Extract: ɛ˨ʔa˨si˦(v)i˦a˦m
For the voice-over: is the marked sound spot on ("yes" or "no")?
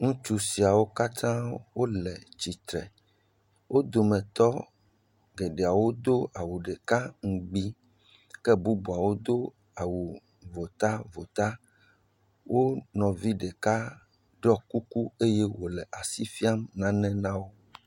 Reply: no